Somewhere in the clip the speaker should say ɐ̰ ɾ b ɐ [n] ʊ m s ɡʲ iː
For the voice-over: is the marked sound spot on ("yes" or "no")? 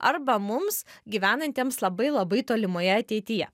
no